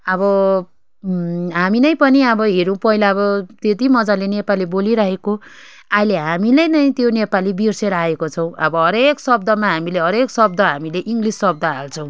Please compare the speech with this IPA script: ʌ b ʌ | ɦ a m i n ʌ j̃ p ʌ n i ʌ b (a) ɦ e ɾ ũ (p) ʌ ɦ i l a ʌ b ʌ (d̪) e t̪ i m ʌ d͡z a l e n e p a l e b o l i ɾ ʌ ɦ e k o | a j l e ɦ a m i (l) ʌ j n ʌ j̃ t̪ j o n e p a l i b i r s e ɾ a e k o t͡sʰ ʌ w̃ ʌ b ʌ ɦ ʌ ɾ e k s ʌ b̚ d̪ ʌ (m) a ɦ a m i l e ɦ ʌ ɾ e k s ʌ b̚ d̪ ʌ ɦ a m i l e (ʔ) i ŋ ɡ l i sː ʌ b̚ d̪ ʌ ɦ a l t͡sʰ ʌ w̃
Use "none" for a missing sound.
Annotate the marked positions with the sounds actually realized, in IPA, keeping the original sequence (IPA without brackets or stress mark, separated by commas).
ʌ, p, t̪, l, m, ʔ